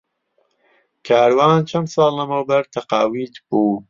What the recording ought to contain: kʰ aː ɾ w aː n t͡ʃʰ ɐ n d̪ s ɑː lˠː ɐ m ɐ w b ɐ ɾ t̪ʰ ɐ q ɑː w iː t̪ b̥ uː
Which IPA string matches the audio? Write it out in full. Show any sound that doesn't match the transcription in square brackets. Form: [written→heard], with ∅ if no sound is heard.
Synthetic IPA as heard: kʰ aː ɾ w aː n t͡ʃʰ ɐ n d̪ s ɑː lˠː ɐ m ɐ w b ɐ ɾ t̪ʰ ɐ q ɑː w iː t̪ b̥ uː